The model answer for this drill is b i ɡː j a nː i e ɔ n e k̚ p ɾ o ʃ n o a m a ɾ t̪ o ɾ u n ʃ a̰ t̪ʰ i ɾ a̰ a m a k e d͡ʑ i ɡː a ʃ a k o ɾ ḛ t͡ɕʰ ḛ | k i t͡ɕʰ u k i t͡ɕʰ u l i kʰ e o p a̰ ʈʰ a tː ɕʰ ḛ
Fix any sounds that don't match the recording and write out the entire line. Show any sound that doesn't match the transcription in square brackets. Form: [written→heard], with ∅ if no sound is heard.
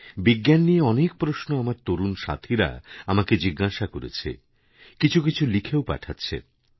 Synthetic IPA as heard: b i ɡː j a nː i e ɔ n e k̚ p ɾ o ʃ n o a m a ɾ t̪ o ɾ u n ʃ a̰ t̪ʰ i ɾ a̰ a m a k e d͡ʑ i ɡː a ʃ a k o ɾ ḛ t͡ɕʰ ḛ | k i t͡ɕʰ u k i t͡ɕʰ u l i kʰ e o p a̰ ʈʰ a tː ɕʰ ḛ

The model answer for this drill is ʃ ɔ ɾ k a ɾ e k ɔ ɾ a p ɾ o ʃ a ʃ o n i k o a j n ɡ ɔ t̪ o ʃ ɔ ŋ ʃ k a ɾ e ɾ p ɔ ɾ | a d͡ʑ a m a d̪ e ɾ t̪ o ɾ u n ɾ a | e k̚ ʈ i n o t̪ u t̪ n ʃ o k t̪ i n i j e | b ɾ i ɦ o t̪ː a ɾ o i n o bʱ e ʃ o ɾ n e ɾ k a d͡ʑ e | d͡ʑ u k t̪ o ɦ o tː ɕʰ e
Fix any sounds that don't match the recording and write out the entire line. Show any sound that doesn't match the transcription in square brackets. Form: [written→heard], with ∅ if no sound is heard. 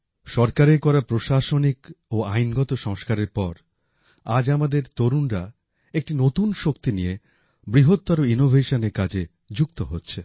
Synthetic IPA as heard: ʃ ɔ ɾ k a ɾ e k ɔ ɾ a p ɾ o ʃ a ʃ o n i k o a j n ɡ ɔ t̪ o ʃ ɔ ŋ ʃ k a ɾ e ɾ p ɔ ɾ | a d͡ʑ a m a d̪ e ɾ t̪ o ɾ u n ɾ a | e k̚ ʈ i n o t̪ u [t̪→∅] n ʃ o k t̪ i n i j e | b ɾ i ɦ o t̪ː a ɾ o i n o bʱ e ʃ o [ɾ→∅] n e ɾ k a d͡ʑ e | d͡ʑ u k t̪ o ɦ o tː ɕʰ e

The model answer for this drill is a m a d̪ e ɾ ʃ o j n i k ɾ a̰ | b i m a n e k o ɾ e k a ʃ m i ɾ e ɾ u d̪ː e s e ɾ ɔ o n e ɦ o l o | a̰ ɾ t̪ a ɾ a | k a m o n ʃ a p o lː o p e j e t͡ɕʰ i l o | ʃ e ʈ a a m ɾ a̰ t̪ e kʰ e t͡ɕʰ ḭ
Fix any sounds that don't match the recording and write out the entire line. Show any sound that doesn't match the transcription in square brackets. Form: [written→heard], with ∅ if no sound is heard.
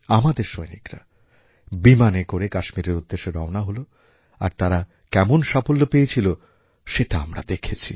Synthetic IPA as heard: a m a d̪ e ɾ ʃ o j n i k ɾ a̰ | b i m a n e k o ɾ e k a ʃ m i ɾ e ɾ u d̪ː e [s→ʃ] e ɾ ɔ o n [e→a] ɦ o l o | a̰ ɾ t̪ a ɾ a | k [a→ɛ] m o n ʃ a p o lː o p e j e t͡ɕʰ i l o | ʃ e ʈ a a m ɾ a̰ [t̪→d̪] e kʰ e t͡ɕʰ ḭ

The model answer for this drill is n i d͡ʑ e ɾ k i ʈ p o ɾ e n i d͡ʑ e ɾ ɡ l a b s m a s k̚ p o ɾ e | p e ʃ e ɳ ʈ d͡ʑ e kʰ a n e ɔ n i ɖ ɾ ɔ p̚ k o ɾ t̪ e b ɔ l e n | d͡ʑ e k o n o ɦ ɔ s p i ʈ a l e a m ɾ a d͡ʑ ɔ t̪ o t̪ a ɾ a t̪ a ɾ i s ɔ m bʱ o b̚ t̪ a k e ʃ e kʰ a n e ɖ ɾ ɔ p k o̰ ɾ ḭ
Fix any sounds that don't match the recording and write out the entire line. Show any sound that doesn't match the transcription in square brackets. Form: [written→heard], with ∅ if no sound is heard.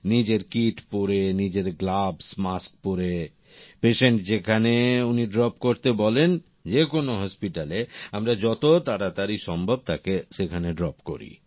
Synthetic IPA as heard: n i d͡ʑ e ɾ k i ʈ p o ɾ e n i d͡ʑ e ɾ ɡ l a b s m a s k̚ p o ɾ e | p e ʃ e ɳ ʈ d͡ʑ e kʰ a n e [ɔ→u] n i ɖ ɾ ɔ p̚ k o ɾ t̪ e b ɔ l e n | d͡ʑ e k o n o ɦ ɔ s p i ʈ a l e a m ɾ a d͡ʑ ɔ t̪ o t̪ a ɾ a t̪ a ɾ i [s→ʃ] ɔ m bʱ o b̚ t̪ a k e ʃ e kʰ a n e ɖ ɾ ɔ p k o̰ ɾ ḭ

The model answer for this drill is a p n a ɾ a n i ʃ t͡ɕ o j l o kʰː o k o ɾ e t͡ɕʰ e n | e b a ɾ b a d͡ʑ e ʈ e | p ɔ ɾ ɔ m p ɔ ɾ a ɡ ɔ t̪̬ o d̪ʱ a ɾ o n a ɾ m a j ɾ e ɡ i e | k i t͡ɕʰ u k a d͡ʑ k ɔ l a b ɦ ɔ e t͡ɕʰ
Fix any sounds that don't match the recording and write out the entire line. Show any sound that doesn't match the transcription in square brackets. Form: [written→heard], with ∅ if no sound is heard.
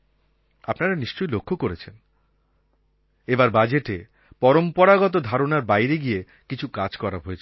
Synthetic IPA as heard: a p n a ɾ a n i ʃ t͡ɕ o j l o kʰː o k o ɾ e t͡ɕʰ e n | e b a ɾ b a d͡ʑ e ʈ e | p ɔ ɾ [ɔ→o] m p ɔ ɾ a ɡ ɔ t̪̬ o d̪ʱ a ɾ o n a ɾ [m→b] a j ɾ e ɡ i e | k i t͡ɕʰ u k a d͡ʑ k ɔ [l→ɾ] a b ɦ [ɔ→o] e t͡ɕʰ

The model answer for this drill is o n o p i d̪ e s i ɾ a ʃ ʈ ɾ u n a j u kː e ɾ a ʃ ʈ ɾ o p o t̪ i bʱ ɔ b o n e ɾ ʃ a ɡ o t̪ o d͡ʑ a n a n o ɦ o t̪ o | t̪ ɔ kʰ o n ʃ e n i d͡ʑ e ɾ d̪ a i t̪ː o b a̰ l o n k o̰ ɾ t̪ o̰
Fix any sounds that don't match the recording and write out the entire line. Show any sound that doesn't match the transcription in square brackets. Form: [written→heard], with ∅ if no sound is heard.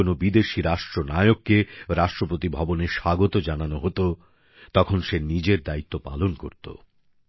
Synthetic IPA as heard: o n o [p→b] i d̪ e [s→ʃ] i ɾ a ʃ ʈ ɾ [u→o] n a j [u→o] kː e ɾ a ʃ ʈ ɾ o p o t̪ i bʱ ɔ b o n e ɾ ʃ a ɡ o t̪ o d͡ʑ a n a n o ɦ o t̪ o | t̪ ɔ kʰ o n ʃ e n i d͡ʑ e ɾ d̪ a i t̪ː o [b→p] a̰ l o n k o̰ ɾ t̪ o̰

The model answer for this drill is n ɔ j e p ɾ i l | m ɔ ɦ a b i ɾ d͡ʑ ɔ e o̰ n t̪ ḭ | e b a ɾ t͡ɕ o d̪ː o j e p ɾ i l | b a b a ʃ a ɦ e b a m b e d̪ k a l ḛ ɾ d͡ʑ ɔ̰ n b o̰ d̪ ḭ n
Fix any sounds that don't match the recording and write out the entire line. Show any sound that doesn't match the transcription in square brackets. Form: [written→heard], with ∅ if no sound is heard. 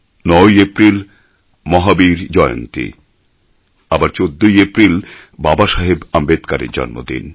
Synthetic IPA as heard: n ɔ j e p ɾ i l | m ɔ ɦ a b i ɾ d͡ʑ ɔ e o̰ n t̪ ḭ | [e→a] b a ɾ t͡ɕ o d̪ː o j e p ɾ i l | b a b a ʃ a ɦ e b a m b e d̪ k a [l→ɾ] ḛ ɾ d͡ʑ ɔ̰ n [b→m] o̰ d̪ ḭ n

